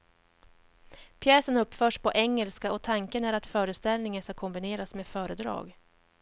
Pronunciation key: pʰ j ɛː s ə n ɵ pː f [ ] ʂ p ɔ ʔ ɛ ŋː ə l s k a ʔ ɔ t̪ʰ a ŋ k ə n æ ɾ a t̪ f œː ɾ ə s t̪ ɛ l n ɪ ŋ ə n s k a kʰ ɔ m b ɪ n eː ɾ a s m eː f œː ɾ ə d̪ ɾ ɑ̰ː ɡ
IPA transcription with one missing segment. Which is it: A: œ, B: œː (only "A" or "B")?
B